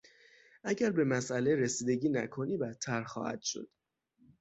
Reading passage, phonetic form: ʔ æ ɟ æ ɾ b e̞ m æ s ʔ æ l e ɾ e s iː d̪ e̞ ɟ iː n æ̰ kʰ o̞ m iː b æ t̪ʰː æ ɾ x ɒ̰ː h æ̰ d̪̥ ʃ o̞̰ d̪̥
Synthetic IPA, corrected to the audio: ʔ æ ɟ æ ɾ b e̞ m æ s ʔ æ l e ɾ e s iː d̪ e̞ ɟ iː n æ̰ kʰ o̞ n iː b æ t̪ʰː æ ɾ x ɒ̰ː h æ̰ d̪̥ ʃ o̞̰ d̪̥

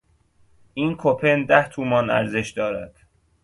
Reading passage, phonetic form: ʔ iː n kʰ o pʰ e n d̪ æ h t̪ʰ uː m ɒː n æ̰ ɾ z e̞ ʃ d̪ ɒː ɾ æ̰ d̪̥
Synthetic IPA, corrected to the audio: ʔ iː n kʰ o pʰ e n d̪ æ h t̪ʰ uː m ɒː n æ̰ ɾ z e̞ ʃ d̪ ɒː ɾ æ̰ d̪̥

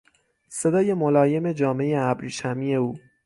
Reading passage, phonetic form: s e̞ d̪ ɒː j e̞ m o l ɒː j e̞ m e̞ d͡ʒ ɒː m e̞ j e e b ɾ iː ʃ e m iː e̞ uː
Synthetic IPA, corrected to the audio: s e̞ d̪ ɒː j e̞ m o l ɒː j e̞ m e̞ d͡ʒ ɒː m e̞ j e æ b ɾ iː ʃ æ m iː e̞ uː

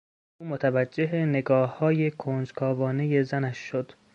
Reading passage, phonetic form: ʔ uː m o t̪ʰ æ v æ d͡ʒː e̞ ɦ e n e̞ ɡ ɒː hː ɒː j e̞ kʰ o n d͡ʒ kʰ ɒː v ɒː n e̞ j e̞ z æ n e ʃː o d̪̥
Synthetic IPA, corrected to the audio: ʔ uː m o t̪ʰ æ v æ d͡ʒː e̞ ɦ e n e̞ ɡ ɒː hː ɒː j e̞ kʰ o n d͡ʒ kʰ ɒː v ɒː n e̞ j e̞ z æ n æ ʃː o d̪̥

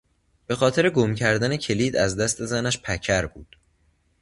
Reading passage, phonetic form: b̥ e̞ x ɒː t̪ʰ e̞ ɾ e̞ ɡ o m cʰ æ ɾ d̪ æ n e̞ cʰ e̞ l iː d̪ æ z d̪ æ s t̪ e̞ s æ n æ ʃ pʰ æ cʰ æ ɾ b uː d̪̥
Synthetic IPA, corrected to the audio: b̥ e̞ x ɒː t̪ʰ e̞ ɾ e̞ ɡ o m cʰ æ ɾ d̪ æ n e̞ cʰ e̞ l iː d̪ æ z d̪ æ s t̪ e̞ z æ n æ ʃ pʰ æ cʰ æ ɾ b uː d̪̥

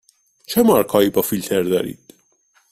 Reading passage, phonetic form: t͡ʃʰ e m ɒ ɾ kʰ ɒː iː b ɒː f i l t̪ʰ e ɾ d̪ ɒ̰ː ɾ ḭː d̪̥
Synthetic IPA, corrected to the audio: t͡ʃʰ e m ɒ ɾ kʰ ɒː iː b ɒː f i l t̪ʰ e ɾ d̪ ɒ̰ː ɾ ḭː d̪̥

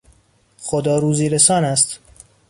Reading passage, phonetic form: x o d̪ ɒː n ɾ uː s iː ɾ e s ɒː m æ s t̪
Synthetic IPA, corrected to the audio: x o d̪ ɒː ɾ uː z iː ɾ e s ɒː n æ s t̪

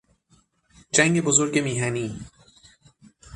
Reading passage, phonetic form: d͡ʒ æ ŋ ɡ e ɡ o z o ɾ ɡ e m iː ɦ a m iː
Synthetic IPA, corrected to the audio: d͡ʒ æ ŋ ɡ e b o z o ɾ ɡ e m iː ɦ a n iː

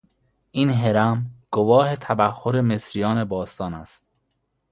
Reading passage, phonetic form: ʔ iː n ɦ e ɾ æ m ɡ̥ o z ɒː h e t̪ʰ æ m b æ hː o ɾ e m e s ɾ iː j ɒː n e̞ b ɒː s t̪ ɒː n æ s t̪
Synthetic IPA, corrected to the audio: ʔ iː n ɦ e ɾ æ m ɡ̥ o v ɒː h e t̪ʰ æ b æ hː o ɾ e m e s ɾ i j ɒː n e̞ b ɒː s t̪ ɒː n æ s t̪

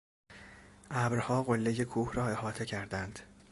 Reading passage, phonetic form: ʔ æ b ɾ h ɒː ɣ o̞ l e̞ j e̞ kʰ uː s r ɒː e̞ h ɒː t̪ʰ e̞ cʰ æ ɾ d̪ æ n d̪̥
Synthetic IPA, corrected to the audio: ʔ æ b ɾ h ɒː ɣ o̞ lː e̞ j e̞ kʰ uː h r ɒː e̞ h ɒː t̪ʰ e̞ cʰ æ ɾ d̪ æ n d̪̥

